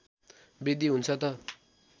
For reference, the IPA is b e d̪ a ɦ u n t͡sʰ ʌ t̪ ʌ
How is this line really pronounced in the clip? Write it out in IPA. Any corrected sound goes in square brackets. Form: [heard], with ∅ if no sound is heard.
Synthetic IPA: b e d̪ [i] ɦ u n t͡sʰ ʌ t̪ ʌ